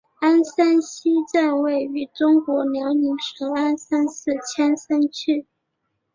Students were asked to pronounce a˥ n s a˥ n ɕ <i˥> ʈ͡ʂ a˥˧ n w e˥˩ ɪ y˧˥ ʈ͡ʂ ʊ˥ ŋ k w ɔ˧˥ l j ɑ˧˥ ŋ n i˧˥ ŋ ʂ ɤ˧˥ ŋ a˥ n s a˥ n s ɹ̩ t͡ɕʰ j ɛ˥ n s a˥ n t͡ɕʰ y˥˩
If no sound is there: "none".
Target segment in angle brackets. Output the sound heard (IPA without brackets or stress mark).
i˥